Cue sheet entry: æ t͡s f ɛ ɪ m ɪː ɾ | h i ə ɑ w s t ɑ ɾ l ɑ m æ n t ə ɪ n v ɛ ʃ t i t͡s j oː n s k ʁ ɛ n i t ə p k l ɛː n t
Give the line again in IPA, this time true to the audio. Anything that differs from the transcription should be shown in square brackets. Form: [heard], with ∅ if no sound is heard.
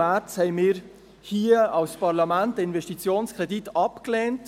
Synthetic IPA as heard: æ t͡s [h] ɛ ɪ m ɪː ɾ | h i ə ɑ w s [p] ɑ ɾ l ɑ m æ n t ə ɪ n v ɛ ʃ t i t͡s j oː n s k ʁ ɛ [d] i t [ɑ] p k l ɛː n t